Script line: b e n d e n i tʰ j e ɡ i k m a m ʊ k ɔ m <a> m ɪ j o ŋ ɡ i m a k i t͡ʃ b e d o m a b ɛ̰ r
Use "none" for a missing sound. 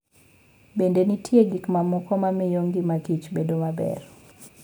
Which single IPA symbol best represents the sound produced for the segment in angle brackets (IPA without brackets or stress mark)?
a